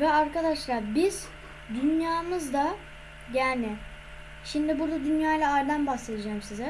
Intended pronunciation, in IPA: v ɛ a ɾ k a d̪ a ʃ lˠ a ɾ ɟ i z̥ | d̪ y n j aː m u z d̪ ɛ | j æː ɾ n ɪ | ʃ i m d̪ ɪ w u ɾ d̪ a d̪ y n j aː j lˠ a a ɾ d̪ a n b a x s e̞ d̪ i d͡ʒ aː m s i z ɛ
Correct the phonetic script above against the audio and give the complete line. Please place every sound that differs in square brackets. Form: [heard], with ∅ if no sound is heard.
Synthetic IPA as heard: v ɛ a ɾ k a d̪ a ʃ lˠ a ɾ [b] i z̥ | d̪ y n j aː m [ɯ] z d̪ [a] | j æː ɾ n ɪ | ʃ i m d̪ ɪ [b] u ɾ d̪ a d̪ y n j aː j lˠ a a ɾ d̪ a n b a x s e̞ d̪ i d͡ʒ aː m s i z ɛ

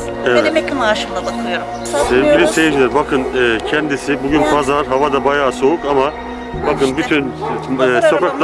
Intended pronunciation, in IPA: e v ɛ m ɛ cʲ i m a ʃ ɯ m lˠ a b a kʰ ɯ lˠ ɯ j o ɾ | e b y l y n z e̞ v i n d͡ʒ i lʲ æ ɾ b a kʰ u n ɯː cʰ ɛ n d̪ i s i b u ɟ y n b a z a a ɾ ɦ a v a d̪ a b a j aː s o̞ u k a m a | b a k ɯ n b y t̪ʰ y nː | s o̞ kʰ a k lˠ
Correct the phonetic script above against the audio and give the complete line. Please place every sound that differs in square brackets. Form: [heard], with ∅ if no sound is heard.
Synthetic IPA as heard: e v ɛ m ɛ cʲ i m a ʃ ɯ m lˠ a b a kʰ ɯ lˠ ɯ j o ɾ | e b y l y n [s] e̞ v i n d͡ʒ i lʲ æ ɾ b a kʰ [ɯ] n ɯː cʰ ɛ n d̪ i s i b u ɟ y n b a z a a ɾ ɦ a v a d̪ a b a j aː s o̞ u k a m a | b a k ɯ n b y t̪ʰ y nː | s o̞ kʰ a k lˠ

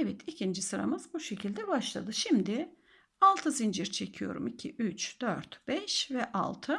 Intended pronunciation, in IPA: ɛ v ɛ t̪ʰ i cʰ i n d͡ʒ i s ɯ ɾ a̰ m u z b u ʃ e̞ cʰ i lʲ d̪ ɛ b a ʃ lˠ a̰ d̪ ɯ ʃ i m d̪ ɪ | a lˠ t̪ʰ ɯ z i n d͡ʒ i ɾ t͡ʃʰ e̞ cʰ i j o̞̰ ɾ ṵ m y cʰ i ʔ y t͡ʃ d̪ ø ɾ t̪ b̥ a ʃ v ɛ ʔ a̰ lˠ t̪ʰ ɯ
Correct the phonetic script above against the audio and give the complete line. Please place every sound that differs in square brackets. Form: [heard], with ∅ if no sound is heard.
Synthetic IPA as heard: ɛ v ɛ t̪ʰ i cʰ i n d͡ʒ i s ɯ ɾ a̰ m [ɯ] z b u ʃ e̞ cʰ i lʲ d̪ ɛ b a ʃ lˠ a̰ d̪ ɯ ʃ i m d̪ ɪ | a lˠ t̪ʰ ɯ z i n d͡ʒ i ɾ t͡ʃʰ e̞ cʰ i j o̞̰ ɾ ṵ m [i] cʰ i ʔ y t͡ʃ d̪ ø ɾ t̪ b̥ [ɛ] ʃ v ɛ ʔ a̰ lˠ t̪ʰ ɯ

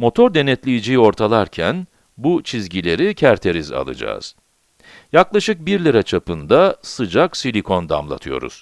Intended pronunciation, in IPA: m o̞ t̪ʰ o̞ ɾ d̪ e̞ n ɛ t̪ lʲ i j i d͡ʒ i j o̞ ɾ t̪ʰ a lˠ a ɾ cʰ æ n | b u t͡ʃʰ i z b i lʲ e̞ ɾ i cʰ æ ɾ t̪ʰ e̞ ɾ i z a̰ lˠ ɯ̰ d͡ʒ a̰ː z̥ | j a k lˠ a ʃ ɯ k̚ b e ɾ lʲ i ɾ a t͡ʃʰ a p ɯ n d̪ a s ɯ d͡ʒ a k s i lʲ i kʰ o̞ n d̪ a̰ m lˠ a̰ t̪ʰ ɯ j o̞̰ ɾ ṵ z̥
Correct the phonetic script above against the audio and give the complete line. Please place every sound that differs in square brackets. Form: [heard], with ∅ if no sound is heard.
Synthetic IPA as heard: m o̞ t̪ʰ o̞ ɾ d̪ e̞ n ɛ t̪ lʲ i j i d͡ʒ i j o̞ ɾ t̪ʰ a lˠ a ɾ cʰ æ n | b u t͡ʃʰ i z [ɟ] i lʲ e̞ ɾ i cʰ æ ɾ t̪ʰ e̞ ɾ i z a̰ lˠ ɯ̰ d͡ʒ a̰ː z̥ | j a k lˠ a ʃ ɯ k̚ b [i] ɾ lʲ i ɾ a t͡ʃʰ a p ɯ n d̪ a s ɯ d͡ʒ a k s i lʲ i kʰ o̞ n d̪ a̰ m lˠ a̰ t̪ʰ ɯ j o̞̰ ɾ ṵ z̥

